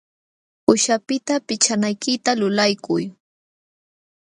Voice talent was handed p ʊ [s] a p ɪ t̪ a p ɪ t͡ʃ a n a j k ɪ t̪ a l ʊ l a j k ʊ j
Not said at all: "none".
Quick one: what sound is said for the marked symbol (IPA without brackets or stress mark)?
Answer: ʃ